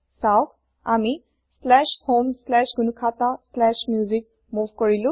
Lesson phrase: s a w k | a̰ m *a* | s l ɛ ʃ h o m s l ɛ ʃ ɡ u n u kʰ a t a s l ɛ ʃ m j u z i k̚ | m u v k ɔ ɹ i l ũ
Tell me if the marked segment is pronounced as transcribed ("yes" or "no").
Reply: no